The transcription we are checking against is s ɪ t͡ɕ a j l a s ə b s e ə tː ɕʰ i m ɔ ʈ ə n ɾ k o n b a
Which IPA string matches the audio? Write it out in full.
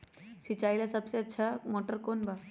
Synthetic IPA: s i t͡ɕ a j l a s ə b s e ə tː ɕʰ a m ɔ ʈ ə ɾ k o n b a

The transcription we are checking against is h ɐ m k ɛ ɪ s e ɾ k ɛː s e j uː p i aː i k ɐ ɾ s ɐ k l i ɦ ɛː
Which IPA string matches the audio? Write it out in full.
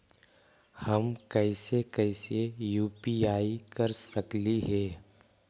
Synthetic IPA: h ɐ m k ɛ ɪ s e k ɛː s e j uː p i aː i k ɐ ɾ s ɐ k l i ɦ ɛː

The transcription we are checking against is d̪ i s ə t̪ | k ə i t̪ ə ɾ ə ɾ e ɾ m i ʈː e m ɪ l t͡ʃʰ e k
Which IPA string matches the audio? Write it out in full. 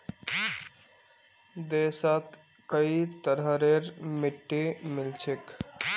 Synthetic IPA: d̪ e s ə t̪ | k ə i t̪ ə ɾ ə ɾ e ɾ m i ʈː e m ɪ l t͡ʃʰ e k

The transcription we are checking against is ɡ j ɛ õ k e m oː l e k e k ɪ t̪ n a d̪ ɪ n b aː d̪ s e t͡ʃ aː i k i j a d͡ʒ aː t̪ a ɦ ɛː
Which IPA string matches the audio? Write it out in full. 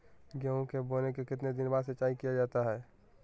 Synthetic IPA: ɡ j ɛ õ k e b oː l e k e k ɪ t̪ n e d̪ ɪ n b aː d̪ s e t͡ʃ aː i k i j a d͡ʒ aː t̪ a ɦ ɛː

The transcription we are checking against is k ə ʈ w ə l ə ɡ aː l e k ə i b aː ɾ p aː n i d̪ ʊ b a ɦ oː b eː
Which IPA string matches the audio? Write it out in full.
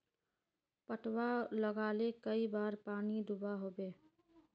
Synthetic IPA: p ə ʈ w a l ə ɡ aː l e k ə i b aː ɾ p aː n i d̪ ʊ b a ɦ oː b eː

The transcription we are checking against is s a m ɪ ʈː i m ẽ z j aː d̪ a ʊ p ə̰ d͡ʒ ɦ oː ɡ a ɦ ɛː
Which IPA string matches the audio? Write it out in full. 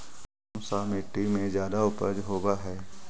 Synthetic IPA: s a m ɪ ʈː i m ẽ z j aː d̪ a ʊ p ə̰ d͡ʒ ɦ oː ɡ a ɦ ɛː

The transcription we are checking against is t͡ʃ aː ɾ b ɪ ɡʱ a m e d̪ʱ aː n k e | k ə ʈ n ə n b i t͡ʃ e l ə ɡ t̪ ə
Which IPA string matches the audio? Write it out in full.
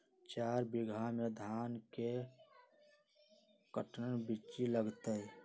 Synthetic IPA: t͡ʃ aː ɾ b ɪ ɡʱ a m e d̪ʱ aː n k e | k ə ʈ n ə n b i t͡ʃ i l ə ɡ t̪ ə

